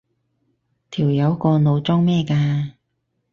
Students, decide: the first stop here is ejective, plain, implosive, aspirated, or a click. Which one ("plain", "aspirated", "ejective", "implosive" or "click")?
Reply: aspirated